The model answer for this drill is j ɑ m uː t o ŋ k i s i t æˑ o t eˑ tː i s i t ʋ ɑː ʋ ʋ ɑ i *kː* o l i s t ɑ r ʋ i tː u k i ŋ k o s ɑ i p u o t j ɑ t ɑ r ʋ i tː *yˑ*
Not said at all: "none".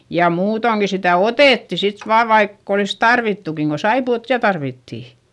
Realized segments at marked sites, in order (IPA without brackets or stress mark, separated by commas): kː, iˑ